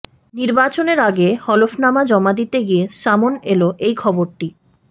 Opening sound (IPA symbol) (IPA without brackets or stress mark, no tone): n